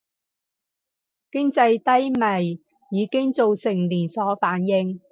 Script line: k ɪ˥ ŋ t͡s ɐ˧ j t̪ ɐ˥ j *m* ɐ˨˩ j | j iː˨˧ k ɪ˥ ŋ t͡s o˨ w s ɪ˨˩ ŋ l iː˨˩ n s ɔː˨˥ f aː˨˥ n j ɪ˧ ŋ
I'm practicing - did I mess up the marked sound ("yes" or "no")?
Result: no